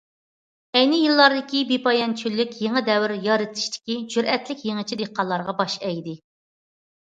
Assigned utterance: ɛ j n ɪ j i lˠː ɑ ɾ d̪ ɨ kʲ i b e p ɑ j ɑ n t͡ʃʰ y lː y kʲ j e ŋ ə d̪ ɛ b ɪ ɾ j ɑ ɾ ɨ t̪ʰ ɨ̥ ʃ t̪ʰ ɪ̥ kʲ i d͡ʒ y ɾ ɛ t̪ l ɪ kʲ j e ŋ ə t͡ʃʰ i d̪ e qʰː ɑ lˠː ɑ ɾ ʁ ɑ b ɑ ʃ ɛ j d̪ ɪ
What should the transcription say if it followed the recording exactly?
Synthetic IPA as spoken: ɛ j n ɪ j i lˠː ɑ ɾ d̪ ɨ kʲ i b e p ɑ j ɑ n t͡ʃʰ y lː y kʲ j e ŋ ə d̪ ɛ w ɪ ɾ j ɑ ɾ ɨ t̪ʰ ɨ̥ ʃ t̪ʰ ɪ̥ kʲ i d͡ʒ y ɾ ɛ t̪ l ɪ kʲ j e ŋ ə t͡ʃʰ i d̪ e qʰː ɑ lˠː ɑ ɾ ʁ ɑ b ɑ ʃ ɛ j d̪ ɪ

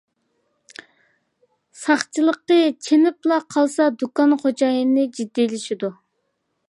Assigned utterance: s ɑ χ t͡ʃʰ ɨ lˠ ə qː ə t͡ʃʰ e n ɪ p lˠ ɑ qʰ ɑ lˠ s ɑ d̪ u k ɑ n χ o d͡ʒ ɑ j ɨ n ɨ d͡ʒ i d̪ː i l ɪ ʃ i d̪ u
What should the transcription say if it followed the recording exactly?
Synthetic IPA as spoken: s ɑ χ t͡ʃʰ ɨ lˠ ə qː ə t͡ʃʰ e n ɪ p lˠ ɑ qʰ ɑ lˠ s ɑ d̪ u k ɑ n χ o d͡ʒ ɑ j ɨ n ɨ d͡ʒ i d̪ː i l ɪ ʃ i d̪ u

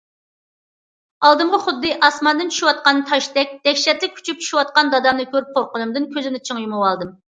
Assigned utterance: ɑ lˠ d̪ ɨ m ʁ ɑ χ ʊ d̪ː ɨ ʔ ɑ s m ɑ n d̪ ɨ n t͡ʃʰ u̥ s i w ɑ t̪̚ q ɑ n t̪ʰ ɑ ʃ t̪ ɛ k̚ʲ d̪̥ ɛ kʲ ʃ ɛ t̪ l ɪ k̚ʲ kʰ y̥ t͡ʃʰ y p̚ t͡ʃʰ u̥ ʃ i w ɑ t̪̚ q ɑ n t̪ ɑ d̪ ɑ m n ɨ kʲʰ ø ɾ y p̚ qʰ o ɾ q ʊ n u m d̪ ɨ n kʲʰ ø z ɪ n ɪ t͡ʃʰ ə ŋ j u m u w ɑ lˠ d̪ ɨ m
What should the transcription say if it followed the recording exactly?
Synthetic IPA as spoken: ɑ lˠ d̪ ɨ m ʁ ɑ χ ʊ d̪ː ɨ ʔ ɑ s m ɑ n d̪ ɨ n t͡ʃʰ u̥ ʃ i w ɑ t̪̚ q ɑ n t̪ʰ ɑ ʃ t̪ ɛ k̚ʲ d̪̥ ɛ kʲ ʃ ɛ t̪ l ɪ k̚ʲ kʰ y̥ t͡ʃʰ y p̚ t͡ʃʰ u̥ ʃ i w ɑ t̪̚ q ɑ n d̪ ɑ d̪ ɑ m n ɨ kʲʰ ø ɾ y p̚ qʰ o ɾ q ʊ n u m d̪ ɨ n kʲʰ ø z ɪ n ɪ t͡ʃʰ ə ŋ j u m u w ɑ lˠ d̪ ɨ m

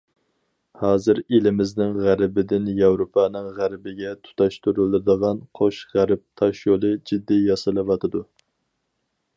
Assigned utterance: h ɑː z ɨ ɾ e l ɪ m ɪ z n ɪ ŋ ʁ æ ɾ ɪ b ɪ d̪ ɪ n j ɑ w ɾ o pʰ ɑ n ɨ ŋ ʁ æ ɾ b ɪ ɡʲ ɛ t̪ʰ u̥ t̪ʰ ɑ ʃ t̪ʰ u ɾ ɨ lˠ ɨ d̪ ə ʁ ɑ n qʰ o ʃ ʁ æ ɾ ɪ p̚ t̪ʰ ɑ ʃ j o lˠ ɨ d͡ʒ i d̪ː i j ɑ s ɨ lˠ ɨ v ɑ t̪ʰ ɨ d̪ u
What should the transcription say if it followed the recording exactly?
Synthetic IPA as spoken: h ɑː z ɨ ɾ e l ɪ m ɪ z n ɪ ŋ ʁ æ ɾ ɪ b ɪ d̪ ɪ n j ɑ w ɾ o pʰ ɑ n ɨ ŋ ʁ æ ɾ b ɪ ɡʲ ɛ t̪ʰ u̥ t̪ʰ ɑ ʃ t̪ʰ u ɾ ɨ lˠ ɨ d̪ ə ʁ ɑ n qʰ o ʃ ʁ æ ɾ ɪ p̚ t̪ʰ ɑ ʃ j o lˠ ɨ d͡ʒ i d̪ː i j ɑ s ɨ lˠ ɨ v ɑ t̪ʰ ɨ d̪ u

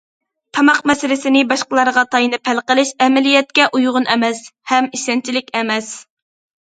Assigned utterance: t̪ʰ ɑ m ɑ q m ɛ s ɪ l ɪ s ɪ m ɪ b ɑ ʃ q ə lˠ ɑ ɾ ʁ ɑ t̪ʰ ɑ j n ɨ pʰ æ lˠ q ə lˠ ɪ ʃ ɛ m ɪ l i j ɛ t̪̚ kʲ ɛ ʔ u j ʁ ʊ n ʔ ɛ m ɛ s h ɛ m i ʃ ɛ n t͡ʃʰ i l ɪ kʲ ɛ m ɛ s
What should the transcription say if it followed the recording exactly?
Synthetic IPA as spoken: t̪ʰ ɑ m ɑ q m ɛ s ɪ l ɪ s ɪ n ɪ b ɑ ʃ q ə lˠ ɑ ɾ ʁ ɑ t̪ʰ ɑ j n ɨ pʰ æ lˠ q ə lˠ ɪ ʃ ɛ m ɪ l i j ɛ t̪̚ kʲ ɛ ʔ u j ʁ ʊ n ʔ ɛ m ɛ s h ɛ m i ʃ ɛ n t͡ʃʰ i l ɪ kʲ ɛ m ɛ s

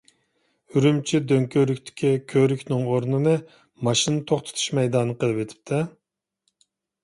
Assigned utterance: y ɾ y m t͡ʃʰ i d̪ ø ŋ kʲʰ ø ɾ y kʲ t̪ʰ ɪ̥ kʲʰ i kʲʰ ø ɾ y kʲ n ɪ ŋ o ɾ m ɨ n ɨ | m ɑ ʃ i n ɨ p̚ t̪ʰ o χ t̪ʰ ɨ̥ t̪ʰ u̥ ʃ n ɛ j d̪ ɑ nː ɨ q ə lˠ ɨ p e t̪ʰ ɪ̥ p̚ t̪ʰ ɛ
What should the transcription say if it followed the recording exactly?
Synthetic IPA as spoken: y ɾ y m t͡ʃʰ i d̪ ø ŋ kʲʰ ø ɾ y kʲ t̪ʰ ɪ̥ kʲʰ i kʲʰ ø ɾ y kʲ n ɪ ŋ o ɾ n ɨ n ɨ | m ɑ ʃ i n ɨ t̪ʰ o χ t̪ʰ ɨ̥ t̪ʰ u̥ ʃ m ɛ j d̪ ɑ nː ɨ q ə lˠ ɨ p e t̪ʰ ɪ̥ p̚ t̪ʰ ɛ

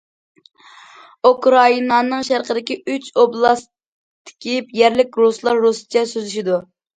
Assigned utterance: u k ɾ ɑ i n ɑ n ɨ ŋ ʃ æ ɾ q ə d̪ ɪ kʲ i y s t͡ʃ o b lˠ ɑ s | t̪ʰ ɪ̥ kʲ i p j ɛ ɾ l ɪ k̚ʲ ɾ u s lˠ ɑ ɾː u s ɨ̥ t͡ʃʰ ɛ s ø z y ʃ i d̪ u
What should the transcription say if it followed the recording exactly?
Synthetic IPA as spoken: u k ɾ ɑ i n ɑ n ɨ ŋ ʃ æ ɾ q ə d̪ ɪ kʲ i y t͡ʃ o b lˠ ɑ s | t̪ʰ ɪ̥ kʲ i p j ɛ ɾ l ɪ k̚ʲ ɾ u s lˠ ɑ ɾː u s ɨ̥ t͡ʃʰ ɛ s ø z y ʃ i d̪ u

